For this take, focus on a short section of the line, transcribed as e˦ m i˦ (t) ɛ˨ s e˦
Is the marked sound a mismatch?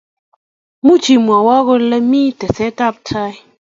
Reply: no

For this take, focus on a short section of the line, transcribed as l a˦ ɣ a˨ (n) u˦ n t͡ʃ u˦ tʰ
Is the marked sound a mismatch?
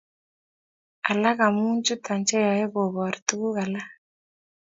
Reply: yes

